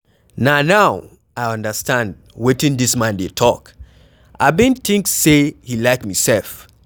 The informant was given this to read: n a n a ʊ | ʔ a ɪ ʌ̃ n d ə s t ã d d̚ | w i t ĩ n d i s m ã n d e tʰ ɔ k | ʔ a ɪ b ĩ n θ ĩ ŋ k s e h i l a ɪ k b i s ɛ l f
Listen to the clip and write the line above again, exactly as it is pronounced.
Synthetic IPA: n a n a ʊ | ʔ a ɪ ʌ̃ n d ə s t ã n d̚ | w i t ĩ n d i s m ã n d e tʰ ɔ k | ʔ a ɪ b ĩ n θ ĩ ŋ k s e h i l a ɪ k m i s ɛ l f